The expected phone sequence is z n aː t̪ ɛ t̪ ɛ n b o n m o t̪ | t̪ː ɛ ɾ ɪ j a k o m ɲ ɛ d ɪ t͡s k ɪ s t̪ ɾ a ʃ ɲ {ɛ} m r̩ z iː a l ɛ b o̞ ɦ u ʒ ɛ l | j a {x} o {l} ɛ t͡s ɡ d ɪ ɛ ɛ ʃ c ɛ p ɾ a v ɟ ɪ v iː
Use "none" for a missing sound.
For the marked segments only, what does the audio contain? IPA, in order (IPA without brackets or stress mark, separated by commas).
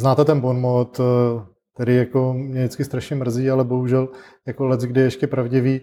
ɛ, k, l